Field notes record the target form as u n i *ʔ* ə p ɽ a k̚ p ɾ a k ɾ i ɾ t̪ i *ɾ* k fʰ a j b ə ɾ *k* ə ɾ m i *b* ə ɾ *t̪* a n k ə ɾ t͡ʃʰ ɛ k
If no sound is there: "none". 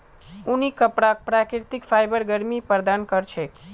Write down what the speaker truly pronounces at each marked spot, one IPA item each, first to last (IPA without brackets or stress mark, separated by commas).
k, none, ɡ, p, d̪